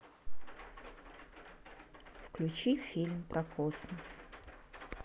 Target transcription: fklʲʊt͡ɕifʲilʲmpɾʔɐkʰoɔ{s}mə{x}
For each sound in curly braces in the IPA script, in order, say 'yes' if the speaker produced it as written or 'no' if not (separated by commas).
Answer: yes, no